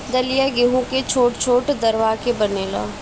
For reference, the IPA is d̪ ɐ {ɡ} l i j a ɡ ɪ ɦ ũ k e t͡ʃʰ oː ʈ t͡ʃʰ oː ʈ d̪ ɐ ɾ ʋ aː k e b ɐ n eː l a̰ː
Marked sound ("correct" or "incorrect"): incorrect